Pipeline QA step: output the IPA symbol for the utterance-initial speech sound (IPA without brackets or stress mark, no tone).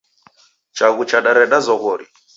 t͡ʃ